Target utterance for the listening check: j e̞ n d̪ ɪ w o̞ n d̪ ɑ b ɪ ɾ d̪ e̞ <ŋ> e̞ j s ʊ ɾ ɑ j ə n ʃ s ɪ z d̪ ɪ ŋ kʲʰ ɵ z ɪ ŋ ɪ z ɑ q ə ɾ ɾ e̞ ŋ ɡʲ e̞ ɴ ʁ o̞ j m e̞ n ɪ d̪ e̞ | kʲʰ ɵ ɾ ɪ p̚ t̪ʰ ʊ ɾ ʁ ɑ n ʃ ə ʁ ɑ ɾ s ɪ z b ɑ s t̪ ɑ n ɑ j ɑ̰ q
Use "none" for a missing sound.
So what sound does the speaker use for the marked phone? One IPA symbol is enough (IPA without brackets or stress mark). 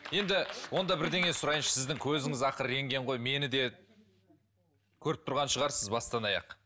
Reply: ŋ